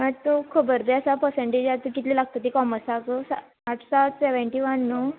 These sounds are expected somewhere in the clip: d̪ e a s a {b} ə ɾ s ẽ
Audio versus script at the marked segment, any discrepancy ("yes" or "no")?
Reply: yes